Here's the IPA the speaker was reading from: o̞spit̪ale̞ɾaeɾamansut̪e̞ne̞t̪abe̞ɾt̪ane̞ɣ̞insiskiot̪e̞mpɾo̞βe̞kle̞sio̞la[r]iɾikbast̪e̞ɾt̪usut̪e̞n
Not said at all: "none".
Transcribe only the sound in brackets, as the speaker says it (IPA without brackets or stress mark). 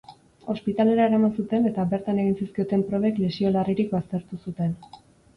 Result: r